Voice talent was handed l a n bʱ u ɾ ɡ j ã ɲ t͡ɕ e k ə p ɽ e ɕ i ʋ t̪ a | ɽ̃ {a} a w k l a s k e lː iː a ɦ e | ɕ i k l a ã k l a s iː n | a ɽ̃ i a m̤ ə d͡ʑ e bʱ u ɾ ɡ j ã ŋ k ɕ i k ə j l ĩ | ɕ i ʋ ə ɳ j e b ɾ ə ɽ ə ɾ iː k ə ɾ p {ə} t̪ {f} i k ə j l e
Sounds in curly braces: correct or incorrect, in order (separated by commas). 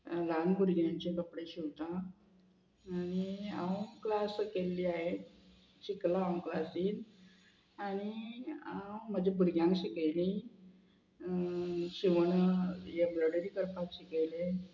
incorrect, incorrect, incorrect